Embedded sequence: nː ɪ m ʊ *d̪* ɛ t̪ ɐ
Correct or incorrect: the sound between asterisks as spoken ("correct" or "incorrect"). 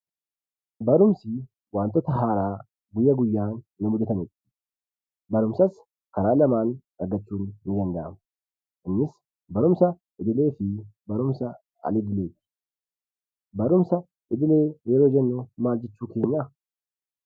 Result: correct